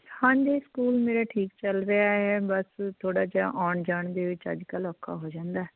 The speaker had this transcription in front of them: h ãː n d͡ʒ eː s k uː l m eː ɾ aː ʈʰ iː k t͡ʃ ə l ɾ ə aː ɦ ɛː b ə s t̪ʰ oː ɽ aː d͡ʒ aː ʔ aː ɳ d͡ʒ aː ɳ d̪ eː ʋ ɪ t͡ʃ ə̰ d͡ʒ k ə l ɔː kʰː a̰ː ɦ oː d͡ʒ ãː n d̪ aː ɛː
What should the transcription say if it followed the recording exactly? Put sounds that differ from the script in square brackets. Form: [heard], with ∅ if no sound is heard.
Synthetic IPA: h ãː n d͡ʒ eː s k uː l m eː ɾ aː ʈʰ iː k t͡ʃ ə l ɾ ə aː ɦ ɛː b ə s t̪ʰ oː ɽ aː d͡ʒ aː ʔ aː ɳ d͡ʒ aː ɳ d̪ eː ʋ ɪ t͡ʃ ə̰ d͡ʒ k ə l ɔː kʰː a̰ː ɦ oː d͡ʒ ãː n d̪ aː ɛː